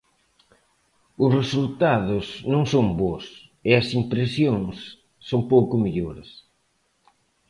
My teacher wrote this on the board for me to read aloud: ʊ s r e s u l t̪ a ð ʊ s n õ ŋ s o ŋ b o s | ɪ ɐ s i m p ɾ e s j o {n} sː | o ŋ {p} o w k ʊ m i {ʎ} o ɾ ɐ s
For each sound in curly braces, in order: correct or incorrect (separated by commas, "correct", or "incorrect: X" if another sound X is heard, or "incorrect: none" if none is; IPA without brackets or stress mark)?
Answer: incorrect: ŋ, correct, correct